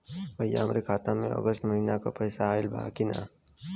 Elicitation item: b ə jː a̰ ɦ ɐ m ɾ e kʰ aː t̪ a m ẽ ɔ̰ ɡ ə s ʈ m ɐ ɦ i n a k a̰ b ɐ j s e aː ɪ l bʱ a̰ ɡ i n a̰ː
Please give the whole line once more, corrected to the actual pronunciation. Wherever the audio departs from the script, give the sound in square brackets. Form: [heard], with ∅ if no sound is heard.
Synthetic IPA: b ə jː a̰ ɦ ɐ m ɾ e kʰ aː t̪ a m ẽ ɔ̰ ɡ ə s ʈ m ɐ ɦ i n a k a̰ [p] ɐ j s [a] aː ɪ l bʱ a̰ [k] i n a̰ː